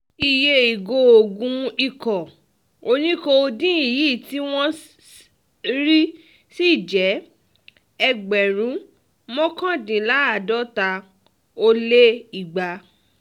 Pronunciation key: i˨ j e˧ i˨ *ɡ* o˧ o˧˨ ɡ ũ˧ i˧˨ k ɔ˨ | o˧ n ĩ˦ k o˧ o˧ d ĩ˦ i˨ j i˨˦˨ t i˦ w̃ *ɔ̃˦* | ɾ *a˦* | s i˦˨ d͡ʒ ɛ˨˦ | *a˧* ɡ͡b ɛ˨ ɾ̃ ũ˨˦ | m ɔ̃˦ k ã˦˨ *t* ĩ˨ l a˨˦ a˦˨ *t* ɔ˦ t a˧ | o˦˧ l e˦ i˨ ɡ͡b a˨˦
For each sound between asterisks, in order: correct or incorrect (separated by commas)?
correct, correct, incorrect, incorrect, incorrect, incorrect